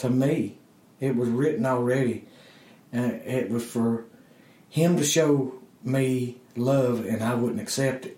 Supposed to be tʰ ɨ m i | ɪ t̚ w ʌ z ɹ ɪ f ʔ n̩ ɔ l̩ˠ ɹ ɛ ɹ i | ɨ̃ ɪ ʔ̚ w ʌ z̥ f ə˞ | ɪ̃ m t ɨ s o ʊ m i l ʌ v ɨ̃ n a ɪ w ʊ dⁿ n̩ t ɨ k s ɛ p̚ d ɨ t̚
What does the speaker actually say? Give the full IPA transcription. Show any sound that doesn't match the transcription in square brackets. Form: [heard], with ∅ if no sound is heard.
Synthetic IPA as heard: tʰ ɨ m i | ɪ t̚ w ʌ z ɹ ɪ [∅] ʔ n̩ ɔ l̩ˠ ɹ ɛ [ɾ] i | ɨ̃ ɪ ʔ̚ w ʌ z̥ f ə˞ | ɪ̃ m t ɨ [ʃ] o ʊ m i l ʌ v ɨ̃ n a ɪ w ʊ dⁿ n̩ t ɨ k s ɛ p̚ [t] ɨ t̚